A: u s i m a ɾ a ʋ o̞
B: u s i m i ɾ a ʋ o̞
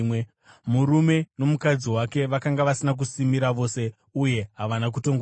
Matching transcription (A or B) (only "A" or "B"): B